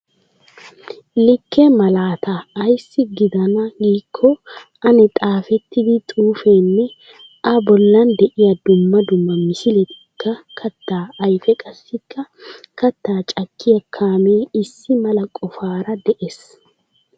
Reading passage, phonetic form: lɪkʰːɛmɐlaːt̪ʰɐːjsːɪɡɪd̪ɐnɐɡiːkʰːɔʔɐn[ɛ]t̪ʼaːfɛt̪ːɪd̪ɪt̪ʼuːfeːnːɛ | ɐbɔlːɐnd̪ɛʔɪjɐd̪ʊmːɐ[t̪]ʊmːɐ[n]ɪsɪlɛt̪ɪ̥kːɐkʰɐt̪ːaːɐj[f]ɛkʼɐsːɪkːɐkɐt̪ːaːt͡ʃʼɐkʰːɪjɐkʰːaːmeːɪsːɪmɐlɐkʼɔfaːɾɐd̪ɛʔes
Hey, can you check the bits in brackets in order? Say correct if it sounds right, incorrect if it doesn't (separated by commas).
correct, incorrect, incorrect, correct